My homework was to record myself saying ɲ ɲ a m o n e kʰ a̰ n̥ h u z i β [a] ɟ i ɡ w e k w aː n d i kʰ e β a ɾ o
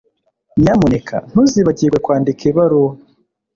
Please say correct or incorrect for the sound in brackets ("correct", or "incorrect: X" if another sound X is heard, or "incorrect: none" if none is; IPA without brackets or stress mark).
correct